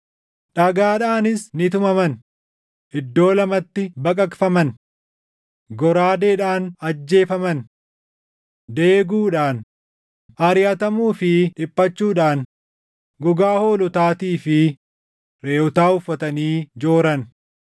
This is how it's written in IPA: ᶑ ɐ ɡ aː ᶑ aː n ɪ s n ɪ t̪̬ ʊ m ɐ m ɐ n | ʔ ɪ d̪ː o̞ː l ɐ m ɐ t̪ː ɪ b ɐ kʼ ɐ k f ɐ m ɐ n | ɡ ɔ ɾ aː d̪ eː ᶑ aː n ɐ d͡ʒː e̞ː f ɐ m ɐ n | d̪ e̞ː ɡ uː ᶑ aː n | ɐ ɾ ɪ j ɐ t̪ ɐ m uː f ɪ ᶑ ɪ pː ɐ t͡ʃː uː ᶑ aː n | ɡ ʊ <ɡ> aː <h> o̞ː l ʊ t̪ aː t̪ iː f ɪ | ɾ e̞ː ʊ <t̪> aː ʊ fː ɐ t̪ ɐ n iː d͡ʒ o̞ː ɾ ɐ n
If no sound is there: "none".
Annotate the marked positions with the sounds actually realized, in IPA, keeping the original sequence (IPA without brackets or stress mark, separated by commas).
ɡ, h, t̪